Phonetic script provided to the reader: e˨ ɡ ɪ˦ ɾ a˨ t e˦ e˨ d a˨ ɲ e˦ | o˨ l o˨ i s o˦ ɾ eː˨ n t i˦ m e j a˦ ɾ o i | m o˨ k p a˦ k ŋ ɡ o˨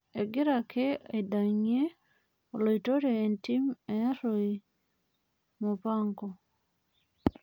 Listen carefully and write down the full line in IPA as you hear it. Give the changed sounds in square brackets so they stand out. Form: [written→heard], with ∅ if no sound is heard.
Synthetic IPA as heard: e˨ ɡ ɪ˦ ɾ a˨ [t→k] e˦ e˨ d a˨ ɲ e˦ | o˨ l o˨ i [s→t] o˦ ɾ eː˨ n t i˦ m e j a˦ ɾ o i | m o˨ [k→∅] p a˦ [k→∅] ŋ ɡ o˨

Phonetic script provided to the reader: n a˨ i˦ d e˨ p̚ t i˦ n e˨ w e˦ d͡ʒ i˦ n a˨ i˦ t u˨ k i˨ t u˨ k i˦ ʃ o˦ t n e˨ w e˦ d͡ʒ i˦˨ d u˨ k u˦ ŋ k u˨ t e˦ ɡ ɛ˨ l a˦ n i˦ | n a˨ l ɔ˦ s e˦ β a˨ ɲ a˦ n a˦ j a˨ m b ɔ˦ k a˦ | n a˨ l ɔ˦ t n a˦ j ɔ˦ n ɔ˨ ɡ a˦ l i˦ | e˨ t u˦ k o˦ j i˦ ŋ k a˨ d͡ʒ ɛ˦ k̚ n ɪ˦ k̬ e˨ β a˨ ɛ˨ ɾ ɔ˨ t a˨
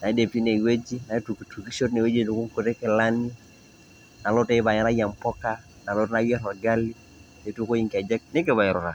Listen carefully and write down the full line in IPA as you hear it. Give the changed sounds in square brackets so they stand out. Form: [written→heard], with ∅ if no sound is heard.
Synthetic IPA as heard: n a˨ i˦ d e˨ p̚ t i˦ n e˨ w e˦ d͡ʒ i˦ n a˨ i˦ t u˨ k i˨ t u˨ k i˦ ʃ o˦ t n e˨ w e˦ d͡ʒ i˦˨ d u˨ k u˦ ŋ k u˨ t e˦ [ɡ→k] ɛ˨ l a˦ n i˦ | n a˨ l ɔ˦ [s→t] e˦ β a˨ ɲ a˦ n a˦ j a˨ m [b→p] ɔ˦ k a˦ | n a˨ l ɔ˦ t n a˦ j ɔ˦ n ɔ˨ ɡ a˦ l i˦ | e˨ t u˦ k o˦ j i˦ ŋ k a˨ d͡ʒ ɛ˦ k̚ n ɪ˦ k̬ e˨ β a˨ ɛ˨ ɾ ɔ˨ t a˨

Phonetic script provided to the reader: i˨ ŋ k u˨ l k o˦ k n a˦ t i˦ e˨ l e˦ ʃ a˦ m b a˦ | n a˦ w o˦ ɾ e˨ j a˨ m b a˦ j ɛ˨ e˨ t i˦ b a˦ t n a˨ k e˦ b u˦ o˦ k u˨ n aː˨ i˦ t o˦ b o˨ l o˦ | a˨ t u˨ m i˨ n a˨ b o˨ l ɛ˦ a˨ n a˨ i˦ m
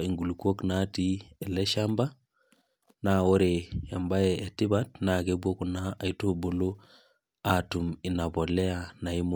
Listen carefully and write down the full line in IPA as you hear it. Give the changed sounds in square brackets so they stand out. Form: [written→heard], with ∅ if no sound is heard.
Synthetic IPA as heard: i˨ ŋ [k→ɡ] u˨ l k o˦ k n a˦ t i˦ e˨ l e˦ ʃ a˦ m b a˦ | n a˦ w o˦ ɾ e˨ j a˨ m b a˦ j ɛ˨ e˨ t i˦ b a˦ t n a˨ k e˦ b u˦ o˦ k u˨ n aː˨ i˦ t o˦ b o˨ l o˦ | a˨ t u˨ m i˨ n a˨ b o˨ l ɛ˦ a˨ n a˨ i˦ m

